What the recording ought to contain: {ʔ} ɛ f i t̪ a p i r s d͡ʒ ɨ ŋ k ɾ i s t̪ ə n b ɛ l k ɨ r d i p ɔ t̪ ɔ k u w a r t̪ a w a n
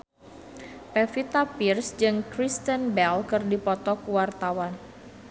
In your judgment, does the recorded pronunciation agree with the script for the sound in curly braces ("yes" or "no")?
no